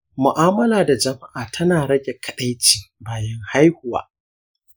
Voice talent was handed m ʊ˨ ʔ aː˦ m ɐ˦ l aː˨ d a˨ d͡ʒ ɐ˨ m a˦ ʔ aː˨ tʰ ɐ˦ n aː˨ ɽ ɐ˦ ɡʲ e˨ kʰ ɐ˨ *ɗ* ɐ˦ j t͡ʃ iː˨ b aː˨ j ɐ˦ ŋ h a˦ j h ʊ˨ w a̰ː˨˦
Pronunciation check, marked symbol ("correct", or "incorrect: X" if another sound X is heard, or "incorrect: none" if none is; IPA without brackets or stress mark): correct